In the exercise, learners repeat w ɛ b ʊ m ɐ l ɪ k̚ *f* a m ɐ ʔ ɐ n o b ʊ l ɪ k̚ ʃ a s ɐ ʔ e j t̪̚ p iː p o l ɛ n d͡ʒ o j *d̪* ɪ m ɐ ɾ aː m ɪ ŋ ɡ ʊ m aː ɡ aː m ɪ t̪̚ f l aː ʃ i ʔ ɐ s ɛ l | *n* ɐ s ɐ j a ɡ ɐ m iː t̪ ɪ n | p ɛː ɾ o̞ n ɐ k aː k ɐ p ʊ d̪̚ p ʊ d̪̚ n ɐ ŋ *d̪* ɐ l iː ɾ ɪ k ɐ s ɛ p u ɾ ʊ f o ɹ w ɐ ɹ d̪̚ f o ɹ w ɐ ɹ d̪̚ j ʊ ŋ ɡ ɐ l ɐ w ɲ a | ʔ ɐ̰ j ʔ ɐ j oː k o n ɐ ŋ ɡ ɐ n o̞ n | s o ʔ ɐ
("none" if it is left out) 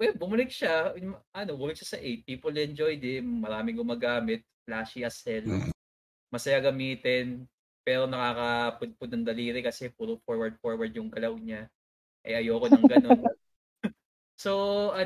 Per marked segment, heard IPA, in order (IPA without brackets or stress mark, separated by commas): ʃ, d̪, m, d̪